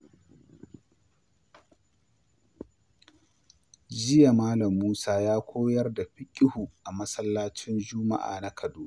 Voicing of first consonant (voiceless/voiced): voiced